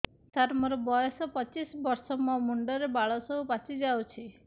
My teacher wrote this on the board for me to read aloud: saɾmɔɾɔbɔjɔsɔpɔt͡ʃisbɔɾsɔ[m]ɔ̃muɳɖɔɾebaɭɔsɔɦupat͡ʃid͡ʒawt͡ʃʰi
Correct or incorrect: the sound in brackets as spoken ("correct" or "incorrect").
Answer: correct